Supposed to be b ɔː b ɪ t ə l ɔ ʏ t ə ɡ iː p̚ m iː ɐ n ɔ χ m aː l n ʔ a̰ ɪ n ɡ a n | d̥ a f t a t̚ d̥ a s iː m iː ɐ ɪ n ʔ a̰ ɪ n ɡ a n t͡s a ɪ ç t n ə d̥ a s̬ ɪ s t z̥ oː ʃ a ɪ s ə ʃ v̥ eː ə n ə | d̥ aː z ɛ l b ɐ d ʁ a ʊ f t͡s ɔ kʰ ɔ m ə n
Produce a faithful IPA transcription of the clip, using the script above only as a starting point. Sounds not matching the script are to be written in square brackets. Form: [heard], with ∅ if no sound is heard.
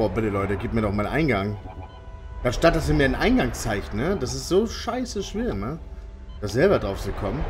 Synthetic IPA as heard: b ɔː b ɪ t ə l ɔ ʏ t ə ɡ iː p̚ m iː ɐ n ɔ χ m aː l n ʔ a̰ ɪ n ɡ a [ŋ] | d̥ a [ʃ] t a t̚ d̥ a s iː m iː ɐ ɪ n ʔ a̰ ɪ n ɡ a [ŋ] t͡s a ɪ ç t n ə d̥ a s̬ ɪ s t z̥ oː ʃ a ɪ s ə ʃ v̥ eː [ɐ] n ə | d̥ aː z ɛ l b ɐ d ʁ a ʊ f t͡s [u] kʰ ɔ m ə n